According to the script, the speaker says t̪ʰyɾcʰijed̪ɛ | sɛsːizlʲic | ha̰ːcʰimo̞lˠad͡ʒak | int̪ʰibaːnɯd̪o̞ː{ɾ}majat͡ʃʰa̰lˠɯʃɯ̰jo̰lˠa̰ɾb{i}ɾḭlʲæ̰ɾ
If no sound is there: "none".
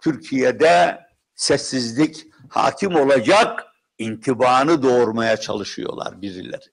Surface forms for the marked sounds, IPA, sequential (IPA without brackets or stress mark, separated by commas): ɾ, i